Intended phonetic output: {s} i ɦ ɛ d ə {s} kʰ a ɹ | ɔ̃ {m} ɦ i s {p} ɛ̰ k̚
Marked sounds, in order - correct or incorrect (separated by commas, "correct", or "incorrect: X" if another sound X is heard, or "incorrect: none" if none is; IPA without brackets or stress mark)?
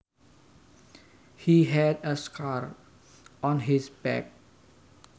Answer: incorrect: h, correct, incorrect: n, incorrect: b